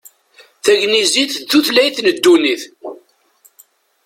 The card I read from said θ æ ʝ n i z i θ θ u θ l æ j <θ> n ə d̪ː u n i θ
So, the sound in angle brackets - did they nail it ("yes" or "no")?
yes